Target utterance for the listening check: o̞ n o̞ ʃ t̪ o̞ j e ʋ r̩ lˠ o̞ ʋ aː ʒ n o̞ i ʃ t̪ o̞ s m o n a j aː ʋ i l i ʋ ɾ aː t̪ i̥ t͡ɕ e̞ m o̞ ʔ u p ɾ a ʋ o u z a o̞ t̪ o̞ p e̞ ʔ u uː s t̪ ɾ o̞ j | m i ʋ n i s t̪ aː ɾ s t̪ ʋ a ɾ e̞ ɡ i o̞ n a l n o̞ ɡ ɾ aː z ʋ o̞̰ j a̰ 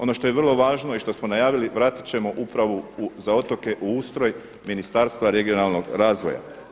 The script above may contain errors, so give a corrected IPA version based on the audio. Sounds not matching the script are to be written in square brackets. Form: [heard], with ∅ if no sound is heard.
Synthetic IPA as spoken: o̞ n o̞ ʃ t̪ o̞ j e ʋ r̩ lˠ o̞ ʋ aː ʒ n o̞ i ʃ t̪ o̞ s m o n a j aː ʋ i l i ʋ ɾ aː t̪ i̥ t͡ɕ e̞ m o̞ ʔ u p ɾ a ʋ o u z a o̞ t̪ o̞ [k] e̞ ʔ u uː s t̪ ɾ o̞ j | m i [∅] n i s t̪ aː ɾ s t̪ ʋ a ɾ e̞ ɡ i o̞ n a l n o̞ ɡ ɾ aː z ʋ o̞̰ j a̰